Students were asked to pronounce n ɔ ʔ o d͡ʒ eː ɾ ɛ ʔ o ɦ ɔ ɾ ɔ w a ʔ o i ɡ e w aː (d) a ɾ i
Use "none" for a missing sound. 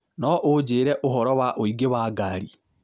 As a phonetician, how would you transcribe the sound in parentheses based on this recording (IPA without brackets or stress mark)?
ɡ